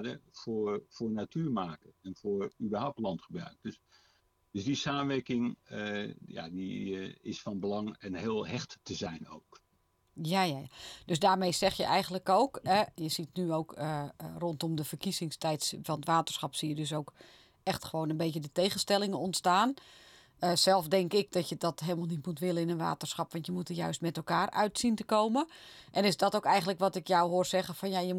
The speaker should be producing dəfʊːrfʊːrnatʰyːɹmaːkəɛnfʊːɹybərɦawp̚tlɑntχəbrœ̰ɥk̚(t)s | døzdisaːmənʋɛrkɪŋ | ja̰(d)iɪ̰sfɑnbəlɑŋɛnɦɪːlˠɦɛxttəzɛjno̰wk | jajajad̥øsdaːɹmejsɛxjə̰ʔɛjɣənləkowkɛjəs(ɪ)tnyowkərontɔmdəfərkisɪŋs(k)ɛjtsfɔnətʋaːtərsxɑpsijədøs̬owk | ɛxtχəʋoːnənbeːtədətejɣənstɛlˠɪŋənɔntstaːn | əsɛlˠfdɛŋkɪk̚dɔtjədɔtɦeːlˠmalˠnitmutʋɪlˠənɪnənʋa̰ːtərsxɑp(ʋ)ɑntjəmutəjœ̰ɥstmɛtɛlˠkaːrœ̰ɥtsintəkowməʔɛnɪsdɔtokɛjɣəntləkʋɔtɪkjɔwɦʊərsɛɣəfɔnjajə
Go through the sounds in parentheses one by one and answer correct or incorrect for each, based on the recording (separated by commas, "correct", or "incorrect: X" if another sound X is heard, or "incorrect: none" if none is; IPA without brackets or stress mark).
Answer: incorrect: d, correct, incorrect: i, incorrect: t, correct